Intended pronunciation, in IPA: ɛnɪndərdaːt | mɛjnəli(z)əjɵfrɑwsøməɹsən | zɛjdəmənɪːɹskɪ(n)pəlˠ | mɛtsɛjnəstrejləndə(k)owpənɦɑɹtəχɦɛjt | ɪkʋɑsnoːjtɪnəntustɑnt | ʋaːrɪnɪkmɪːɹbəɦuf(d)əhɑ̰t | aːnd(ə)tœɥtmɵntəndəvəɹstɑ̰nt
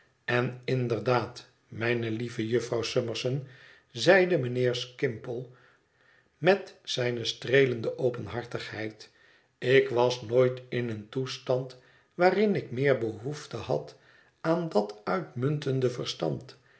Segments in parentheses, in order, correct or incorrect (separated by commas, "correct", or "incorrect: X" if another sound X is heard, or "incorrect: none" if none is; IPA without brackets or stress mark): incorrect: v, incorrect: m, incorrect: ʔ, incorrect: t, incorrect: ɑ